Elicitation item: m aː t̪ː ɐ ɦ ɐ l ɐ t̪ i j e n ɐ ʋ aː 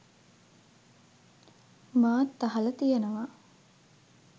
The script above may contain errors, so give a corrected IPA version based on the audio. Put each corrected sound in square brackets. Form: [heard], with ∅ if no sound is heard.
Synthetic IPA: m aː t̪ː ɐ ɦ ɐ l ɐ t̪ i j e n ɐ ʋ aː